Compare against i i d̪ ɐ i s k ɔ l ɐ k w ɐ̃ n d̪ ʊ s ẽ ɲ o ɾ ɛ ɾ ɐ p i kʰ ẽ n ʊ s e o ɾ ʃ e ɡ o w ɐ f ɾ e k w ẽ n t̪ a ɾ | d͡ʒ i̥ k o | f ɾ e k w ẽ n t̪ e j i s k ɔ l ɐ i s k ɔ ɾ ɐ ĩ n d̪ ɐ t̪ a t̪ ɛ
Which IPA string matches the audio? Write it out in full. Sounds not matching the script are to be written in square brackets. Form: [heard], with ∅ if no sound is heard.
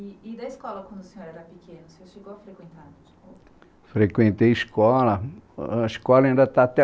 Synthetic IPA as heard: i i d̪ ɐ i s k ɔ l ɐ k w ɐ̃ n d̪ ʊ s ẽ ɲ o ɾ ɛ ɾ ɐ p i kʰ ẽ n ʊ s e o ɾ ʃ e ɡ o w ɐ f ɾ e k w ẽ n t̪ a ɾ | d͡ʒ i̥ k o | f ɾ e k w ẽ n t̪ e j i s k ɔ l ɐ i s k ɔ [l] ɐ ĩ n d̪ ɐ t̪ a t̪ ɛ